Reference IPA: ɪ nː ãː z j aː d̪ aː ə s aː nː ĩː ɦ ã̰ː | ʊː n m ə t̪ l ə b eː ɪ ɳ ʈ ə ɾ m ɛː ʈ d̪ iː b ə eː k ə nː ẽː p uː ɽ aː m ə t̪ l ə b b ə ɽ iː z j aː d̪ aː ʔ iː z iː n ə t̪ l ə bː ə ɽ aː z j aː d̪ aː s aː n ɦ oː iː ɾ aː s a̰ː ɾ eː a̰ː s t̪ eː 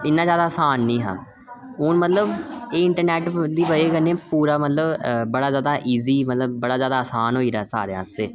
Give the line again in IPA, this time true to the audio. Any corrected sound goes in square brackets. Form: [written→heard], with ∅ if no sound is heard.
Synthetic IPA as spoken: ɪ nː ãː z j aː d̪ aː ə s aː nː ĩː ɦ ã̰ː | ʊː n m ə t̪ l ə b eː ɪ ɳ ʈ ə ɾ [m→n] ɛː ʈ d̪ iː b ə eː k ə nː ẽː p uː [ɽ→ɾ] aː m ə t̪ l ə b b ə ɽ [iː→aː] z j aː d̪ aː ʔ iː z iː [n→m] ə t̪ l ə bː ə ɽ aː z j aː d̪ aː s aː n ɦ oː iː ɾ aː s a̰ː ɾ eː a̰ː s t̪ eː